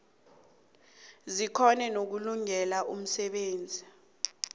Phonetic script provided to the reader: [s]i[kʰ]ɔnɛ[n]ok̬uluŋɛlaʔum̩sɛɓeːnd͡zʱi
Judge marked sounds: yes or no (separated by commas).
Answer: no, yes, yes